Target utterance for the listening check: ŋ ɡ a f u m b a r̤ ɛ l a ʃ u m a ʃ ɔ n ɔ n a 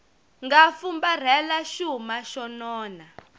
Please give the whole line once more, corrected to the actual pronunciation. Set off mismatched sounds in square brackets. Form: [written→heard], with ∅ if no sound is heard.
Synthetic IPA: ŋ ɡ a f u m b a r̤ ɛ l a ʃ u m a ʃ ɔ n [ɔ→ɔː] n a